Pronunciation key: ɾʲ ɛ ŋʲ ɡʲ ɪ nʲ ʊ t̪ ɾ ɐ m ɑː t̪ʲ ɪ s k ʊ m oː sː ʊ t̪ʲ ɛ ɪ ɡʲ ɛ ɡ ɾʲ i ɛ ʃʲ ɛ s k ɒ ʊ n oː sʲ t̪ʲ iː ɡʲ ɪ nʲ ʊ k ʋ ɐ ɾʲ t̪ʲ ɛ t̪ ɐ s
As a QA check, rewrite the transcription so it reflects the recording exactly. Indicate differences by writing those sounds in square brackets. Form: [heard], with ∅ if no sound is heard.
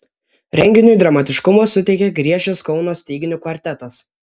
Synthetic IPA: ɾʲ ɛ ŋʲ ɡʲ ɪ nʲ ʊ [d̪] ɾ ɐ m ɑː t̪ʲ ɪ [ʃ] k ʊ m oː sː ʊ t̪ʲ ɛ ɪ [kʲ] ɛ ɡ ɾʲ i ɛ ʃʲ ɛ s k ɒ ʊ n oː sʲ t̪ʲ iː ɡʲ ɪ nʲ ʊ k ʋ ɐ ɾʲ t̪ʲ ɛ t̪ ɐ s